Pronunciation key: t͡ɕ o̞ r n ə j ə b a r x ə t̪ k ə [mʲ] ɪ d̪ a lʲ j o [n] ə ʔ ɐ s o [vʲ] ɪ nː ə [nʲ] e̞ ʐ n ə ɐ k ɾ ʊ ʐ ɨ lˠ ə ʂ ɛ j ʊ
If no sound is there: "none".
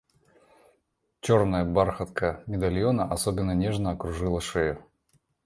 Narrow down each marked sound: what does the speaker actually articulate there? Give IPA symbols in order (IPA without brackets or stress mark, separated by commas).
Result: mʲ, n, bʲ, nʲ